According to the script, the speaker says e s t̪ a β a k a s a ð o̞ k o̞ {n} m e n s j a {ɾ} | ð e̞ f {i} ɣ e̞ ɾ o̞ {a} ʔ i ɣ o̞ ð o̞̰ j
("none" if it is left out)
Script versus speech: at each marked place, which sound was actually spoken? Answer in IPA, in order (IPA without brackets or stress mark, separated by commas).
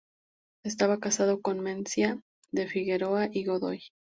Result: n, none, i, a